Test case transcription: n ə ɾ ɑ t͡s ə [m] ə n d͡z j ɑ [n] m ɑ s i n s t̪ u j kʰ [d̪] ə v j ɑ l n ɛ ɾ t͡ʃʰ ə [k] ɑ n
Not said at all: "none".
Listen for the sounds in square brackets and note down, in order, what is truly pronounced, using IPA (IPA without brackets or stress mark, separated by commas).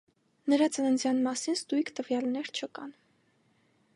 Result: n, n, t̪, k